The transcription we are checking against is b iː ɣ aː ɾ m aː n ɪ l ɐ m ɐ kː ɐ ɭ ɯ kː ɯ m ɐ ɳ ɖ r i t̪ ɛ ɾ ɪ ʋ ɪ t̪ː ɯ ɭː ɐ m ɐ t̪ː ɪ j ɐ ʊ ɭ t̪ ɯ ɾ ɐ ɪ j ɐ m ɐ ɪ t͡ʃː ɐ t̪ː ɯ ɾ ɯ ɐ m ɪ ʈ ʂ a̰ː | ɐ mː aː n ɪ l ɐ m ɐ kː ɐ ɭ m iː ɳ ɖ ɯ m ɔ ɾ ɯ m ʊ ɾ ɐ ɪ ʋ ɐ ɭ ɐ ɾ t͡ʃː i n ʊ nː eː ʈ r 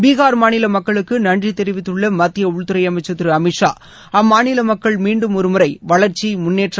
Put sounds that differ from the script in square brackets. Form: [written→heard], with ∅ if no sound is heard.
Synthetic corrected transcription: b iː ɣ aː ɾ m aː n ɪ l ɐ m ɐ kː ɐ ɭ ɯ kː ɯ [m→n] ɐ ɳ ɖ r i t̪ ɛ ɾ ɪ ʋ ɪ t̪ː ɯ ɭː ɐ m ɐ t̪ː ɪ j ɐ ʊ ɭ t̪ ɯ ɾ ɐ ɪ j ɐ m ɐ ɪ t͡ʃː ɐ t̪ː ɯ ɾ ɯ ɐ m ɪ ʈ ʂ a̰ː | ɐ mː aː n ɪ l ɐ m ɐ kː ɐ ɭ m iː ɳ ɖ ɯ m ɔ ɾ ɯ m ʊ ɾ ɐ ɪ ʋ ɐ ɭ ɐ ɾ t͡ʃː i [n→m] ʊ nː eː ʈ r